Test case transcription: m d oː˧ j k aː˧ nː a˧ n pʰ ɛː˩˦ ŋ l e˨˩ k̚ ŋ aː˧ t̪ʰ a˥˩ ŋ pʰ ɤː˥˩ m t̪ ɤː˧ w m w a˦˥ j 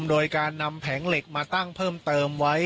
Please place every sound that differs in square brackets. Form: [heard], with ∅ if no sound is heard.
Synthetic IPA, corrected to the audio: m d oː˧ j k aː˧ nː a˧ [m] pʰ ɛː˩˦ ŋ l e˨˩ k̚ [m] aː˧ [t̪] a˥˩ ŋ pʰ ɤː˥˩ m t̪ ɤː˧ [∅] m w a˦˥ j